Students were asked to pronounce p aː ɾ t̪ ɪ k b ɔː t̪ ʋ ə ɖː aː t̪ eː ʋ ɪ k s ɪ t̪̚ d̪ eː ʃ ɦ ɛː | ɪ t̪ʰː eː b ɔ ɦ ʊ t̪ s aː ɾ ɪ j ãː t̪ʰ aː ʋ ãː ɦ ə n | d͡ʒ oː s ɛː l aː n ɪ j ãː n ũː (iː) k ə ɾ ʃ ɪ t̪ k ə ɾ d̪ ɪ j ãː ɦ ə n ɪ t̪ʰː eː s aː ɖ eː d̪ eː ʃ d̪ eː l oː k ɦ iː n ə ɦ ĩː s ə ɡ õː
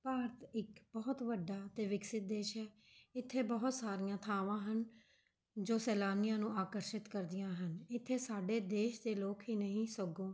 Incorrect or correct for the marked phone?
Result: incorrect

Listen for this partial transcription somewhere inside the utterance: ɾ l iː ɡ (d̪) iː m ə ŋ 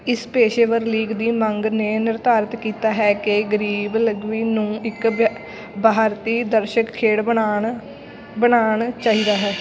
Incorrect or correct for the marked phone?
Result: correct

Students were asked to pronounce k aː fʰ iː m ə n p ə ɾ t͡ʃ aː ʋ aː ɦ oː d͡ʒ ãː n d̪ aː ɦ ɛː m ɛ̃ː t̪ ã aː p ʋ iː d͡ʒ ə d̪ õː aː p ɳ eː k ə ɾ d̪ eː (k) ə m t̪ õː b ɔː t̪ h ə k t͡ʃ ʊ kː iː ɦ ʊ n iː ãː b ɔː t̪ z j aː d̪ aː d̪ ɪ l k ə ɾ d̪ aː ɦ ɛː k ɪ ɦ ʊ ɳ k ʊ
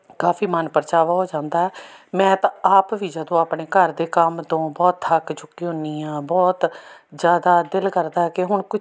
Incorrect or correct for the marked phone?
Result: correct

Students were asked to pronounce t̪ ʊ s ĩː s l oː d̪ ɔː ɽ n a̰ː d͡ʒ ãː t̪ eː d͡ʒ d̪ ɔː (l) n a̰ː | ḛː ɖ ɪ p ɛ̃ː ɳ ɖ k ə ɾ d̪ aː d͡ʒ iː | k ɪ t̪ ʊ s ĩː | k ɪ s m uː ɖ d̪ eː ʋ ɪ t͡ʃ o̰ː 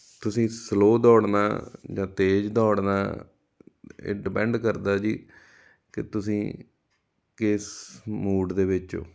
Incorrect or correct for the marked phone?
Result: incorrect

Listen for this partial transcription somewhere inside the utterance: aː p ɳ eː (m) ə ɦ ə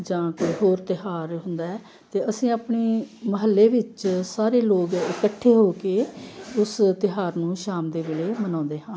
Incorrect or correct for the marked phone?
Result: correct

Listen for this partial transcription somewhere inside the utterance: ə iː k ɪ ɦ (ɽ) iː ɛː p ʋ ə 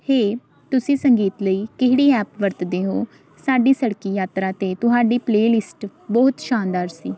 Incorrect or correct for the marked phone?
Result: correct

